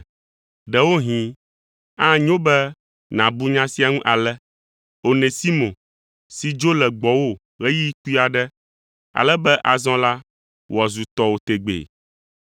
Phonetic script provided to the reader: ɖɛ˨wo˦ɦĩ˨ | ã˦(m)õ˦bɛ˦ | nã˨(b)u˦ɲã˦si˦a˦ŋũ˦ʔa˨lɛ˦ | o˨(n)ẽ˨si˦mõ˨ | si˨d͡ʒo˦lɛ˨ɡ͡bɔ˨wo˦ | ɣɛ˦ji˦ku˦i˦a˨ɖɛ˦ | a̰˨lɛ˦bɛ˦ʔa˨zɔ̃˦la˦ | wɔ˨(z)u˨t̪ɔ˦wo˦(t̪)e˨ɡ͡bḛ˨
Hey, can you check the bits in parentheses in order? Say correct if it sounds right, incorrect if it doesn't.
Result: incorrect: ɲ, correct, correct, correct, correct

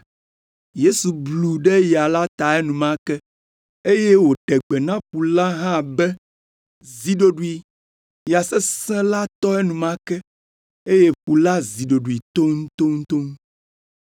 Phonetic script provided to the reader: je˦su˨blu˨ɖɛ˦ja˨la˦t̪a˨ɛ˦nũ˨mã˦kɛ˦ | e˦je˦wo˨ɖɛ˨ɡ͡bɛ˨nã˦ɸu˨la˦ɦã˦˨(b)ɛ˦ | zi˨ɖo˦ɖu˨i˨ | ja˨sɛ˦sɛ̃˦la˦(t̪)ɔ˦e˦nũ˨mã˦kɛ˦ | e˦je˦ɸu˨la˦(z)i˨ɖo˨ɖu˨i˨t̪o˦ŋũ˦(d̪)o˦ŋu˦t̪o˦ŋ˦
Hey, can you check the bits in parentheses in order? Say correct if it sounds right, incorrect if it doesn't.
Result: correct, correct, correct, incorrect: t̪

